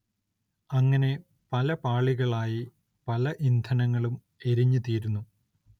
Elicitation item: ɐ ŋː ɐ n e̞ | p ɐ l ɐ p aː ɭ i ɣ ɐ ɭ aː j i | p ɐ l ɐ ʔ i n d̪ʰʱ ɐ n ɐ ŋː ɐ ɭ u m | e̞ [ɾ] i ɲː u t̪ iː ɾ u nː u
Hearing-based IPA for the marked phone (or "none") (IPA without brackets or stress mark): ɾ